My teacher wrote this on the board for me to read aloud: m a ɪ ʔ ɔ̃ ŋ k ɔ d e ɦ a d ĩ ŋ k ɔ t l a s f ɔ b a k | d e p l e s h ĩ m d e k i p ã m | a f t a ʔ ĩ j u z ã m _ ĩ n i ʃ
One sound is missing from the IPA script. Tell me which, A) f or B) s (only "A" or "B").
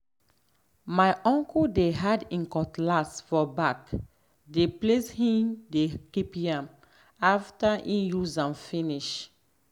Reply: A